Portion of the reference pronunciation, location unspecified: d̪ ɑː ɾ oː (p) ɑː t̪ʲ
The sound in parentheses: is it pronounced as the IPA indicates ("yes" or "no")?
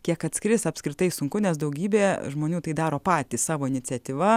yes